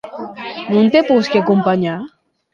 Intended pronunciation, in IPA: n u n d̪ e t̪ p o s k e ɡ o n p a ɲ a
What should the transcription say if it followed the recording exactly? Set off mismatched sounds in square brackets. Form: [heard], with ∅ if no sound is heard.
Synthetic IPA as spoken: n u n [t̪] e [∅] p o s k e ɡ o [m] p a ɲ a

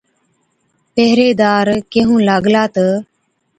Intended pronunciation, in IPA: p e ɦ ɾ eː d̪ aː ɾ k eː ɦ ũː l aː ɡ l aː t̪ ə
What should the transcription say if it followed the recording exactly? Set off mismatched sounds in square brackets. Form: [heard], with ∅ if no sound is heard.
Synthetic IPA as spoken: p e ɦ ɾ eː d̪ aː ɾ k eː ɦ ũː l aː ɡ l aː t̪ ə

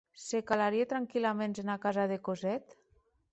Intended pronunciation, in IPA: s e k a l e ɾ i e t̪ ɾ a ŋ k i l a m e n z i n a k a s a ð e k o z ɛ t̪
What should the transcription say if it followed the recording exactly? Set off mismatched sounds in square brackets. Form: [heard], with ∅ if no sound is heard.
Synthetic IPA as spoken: s e k a l [a] ɾ i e t̪ ɾ a ŋ k i l a m e n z [e] n a k a [z] a ð e k o z ɛ t̪

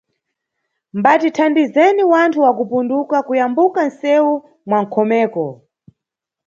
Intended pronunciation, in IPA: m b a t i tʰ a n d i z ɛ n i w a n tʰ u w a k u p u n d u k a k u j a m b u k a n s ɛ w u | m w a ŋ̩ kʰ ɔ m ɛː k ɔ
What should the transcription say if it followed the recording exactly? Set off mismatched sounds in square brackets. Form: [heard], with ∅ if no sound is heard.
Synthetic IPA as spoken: m b a t i tʰ a n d i z ɛ n i w a n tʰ u w a k u p u n d u k a k u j a m b u k a n s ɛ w u | m w a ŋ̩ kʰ ɔ m ɛː k ɔ

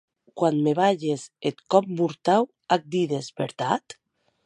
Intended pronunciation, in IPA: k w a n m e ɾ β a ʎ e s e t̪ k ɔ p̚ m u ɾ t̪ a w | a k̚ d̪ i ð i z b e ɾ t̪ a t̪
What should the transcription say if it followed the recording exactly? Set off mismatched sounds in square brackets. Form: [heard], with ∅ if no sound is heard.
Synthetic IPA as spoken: k w a n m e [∅] β a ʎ e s e t̪ k ɔ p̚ m u ɾ t̪ a w | a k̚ d̪ i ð [e] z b e ɾ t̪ a t̪

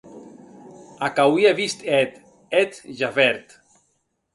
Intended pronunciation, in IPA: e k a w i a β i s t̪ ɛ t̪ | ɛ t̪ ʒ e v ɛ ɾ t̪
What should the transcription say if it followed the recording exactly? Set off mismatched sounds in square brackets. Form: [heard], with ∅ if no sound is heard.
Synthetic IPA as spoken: [a] k a w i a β i s t̪ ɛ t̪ | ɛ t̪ ʒ [a] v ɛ ɾ t̪

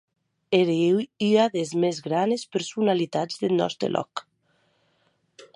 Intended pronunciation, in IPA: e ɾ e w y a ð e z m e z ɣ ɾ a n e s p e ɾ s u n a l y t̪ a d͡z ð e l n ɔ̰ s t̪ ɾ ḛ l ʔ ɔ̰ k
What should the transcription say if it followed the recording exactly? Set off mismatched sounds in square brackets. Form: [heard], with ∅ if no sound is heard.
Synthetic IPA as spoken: e ɾ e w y a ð e z m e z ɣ ɾ a n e s p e ɾ s u n a l [i] t̪ a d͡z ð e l n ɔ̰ s t̪ ɾ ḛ l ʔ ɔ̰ k

